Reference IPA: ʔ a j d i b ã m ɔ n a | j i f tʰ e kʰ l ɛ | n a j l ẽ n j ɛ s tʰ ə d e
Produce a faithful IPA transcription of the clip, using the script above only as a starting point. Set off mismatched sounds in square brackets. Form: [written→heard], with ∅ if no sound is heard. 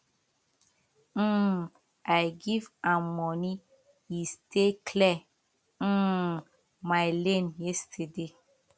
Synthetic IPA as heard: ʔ a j [d→ɡ] i [b→v] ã m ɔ n [a→i] | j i [f→s] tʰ e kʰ l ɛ | [n→m] a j l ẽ n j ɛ s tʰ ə d e